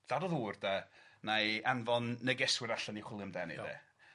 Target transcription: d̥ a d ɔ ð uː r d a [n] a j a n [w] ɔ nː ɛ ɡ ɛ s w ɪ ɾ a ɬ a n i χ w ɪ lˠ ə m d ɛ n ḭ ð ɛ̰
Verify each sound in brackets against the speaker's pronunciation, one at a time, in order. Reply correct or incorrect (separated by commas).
correct, incorrect